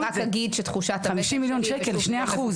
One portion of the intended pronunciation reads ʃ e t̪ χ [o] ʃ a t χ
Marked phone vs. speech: incorrect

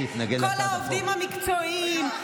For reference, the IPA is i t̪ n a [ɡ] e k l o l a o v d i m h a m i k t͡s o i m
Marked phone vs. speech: correct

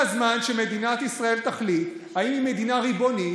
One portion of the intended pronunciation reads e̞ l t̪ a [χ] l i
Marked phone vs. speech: correct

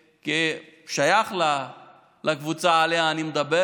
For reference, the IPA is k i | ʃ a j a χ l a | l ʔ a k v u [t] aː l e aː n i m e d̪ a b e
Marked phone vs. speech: incorrect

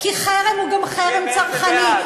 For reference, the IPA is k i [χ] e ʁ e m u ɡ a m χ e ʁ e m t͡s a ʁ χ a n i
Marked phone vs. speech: correct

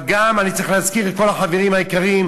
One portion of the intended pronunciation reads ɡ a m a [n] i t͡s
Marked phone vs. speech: correct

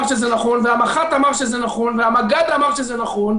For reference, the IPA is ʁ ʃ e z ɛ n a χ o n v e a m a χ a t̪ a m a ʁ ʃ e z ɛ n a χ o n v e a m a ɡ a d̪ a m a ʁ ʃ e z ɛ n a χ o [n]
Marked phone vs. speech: correct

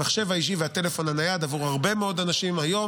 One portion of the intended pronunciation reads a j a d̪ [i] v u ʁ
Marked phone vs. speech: incorrect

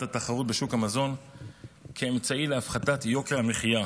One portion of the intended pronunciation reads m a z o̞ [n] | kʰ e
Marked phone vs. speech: correct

